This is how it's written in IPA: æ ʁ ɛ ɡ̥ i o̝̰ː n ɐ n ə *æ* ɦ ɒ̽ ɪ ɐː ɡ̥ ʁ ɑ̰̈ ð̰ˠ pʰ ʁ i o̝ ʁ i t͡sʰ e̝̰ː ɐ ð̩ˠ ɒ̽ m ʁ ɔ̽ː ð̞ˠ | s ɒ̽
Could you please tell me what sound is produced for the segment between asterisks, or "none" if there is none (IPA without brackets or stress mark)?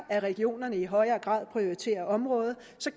i